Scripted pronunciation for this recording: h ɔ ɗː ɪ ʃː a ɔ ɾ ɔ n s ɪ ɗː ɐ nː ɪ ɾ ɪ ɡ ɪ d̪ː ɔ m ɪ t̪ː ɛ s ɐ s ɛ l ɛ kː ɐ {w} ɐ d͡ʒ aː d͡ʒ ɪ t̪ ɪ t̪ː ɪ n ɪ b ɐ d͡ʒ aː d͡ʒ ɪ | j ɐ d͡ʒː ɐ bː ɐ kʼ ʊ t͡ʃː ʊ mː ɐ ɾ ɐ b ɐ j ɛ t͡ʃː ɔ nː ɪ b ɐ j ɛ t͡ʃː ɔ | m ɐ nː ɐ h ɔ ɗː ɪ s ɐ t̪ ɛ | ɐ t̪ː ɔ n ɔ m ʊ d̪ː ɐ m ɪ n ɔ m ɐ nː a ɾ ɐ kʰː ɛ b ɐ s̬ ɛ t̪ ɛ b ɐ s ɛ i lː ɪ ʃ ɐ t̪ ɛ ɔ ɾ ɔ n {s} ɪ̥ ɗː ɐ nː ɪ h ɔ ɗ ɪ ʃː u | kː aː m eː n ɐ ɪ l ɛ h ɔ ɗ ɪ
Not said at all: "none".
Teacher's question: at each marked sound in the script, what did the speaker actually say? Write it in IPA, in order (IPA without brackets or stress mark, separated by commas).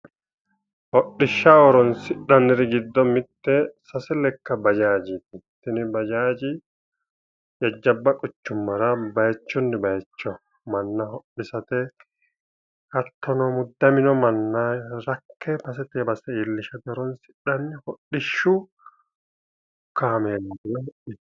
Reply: b, s